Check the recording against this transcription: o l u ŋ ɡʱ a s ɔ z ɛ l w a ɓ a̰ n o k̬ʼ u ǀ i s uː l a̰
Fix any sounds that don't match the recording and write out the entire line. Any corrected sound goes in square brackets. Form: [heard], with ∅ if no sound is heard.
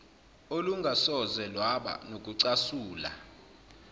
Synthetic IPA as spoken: o l u ŋ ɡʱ a s ɔ z ɛ l w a ɓ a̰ n o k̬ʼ u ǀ [a] s uː l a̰

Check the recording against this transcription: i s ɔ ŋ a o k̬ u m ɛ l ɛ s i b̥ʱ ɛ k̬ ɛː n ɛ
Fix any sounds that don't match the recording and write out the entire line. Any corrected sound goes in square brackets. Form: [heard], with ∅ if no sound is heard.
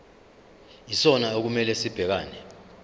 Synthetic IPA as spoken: i s ɔ [n] a o k̬ u m ɛ l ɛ s i b̥ʱ ɛ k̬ [aː] n ɛ

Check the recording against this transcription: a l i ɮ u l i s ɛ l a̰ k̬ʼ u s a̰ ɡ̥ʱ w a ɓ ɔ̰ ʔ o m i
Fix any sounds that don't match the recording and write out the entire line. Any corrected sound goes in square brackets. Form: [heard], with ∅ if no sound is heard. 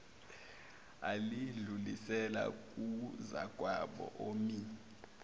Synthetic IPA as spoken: a l i ɮ u l i s ɛ l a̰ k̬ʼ u [z] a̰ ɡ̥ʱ w a ɓ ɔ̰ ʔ o m i

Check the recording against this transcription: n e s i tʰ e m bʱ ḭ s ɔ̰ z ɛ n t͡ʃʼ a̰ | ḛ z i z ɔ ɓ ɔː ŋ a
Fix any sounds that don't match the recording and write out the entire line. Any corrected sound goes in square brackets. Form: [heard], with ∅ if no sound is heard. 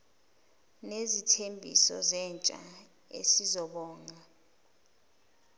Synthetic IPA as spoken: n e [z] i tʰ e m bʱ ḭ s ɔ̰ z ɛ n t͡ʃʼ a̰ | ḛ [s] i z ɔ ɓ ɔː ŋ a

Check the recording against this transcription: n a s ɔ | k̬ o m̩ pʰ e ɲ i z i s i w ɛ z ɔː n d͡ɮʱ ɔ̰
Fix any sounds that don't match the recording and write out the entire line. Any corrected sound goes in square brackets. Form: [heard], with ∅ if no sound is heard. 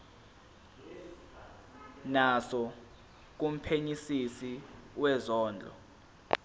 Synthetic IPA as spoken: n a s ɔ | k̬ [u] m̩ pʰ e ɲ i [s] i s i w ɛ z ɔː n d͡ɮʱ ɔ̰

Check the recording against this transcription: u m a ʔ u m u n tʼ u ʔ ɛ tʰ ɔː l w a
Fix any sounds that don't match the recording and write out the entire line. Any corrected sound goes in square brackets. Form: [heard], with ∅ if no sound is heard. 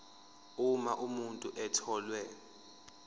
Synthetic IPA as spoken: u m a ʔ u m u n tʼ u ʔ ɛ tʰ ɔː l w [ɛ]

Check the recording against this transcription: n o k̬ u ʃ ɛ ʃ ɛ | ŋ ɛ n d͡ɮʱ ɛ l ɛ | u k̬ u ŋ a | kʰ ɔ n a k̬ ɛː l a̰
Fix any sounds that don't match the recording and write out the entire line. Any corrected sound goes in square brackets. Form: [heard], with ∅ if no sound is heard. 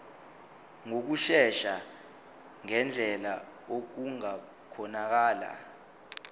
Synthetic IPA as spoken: [ŋ] o k̬ u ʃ ɛ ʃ [a] | ŋ ɛ n d͡ɮʱ ɛ l [a] | [o] k̬ u ŋ a | kʰ ɔ n a k̬ [aː] l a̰

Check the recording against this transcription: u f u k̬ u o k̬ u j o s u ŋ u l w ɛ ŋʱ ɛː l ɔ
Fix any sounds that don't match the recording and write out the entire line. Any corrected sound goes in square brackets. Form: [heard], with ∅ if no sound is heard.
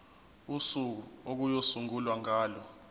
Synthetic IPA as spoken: u [s] u k̬ u o k̬ u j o s u ŋ u l w [a] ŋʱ [aː] l ɔ

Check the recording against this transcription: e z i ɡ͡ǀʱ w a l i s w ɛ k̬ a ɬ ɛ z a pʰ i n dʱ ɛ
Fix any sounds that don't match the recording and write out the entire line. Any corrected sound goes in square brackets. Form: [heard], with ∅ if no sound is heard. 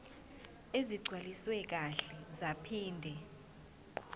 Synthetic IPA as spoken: e z i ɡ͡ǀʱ w a l i s w ɛ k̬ a ɬ ɛ z a pʰ [iː] n dʱ ɛ

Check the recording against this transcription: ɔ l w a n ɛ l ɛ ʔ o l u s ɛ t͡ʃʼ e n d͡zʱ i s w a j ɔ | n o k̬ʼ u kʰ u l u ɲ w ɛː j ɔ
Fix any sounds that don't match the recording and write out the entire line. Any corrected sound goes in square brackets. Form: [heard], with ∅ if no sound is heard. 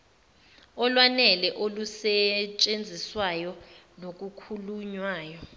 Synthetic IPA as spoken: ɔ l w a n ɛ l ɛ ʔ o l u s ɛ t͡ʃʼ e n d͡zʱ i s w a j ɔ | n o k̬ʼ u kʰ u l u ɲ w [aː] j ɔ

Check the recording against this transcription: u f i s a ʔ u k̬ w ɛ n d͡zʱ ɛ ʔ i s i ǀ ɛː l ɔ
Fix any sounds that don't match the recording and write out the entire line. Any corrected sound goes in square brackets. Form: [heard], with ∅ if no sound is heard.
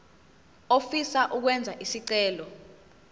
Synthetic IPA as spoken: [o] f i s a ʔ u k̬ w ɛ n d͡zʱ [a] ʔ i s i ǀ ɛː l ɔ

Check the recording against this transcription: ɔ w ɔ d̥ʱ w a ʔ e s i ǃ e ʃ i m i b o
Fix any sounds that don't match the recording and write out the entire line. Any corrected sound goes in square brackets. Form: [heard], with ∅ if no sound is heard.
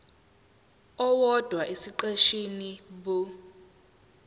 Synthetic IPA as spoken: ɔ w ɔ d̥ʱ w a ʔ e s i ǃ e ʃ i [n] i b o

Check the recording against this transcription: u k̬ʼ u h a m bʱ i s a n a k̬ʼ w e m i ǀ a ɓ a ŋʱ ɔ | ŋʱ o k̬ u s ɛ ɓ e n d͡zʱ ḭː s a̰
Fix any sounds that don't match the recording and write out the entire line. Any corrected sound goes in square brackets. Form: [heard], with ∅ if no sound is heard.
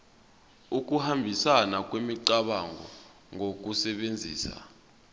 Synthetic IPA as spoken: u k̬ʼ u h a m bʱ i s a n a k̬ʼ w e m i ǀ a ɓ a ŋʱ ɔ | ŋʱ o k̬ u s ɛ ɓ e n d͡zʱ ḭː s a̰

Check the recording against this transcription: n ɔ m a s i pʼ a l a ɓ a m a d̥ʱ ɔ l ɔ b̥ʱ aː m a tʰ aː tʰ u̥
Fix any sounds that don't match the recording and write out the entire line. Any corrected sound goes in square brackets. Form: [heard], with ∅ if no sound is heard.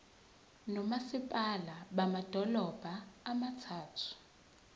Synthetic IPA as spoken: n ɔ m a s i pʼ a l a ɓ a m a d̥ʱ ɔ l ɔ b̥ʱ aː m a tʰ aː tʰ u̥

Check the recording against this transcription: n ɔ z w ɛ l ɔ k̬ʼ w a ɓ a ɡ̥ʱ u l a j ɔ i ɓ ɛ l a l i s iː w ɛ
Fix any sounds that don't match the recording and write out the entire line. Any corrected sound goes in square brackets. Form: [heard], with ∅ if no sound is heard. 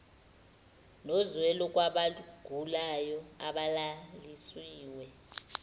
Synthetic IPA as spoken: n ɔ z w ɛ l ɔ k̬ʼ w a ɓ a ɡ̥ʱ u l a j ɔ [a] ɓ [a] l a l i s iː w ɛ

